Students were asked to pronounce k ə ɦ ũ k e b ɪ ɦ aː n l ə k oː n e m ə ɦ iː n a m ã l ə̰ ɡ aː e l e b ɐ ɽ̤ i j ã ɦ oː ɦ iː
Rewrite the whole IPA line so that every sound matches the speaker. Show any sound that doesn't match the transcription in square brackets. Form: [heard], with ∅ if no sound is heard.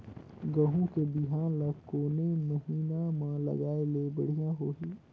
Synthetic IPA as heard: [ɡ] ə ɦ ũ k e b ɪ ɦ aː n l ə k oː n e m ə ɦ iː n a m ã l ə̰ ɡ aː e l e b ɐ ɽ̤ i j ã ɦ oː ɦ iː